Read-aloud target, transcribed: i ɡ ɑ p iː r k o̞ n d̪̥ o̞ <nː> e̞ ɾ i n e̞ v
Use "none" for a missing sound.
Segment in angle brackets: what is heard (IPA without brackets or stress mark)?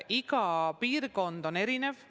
n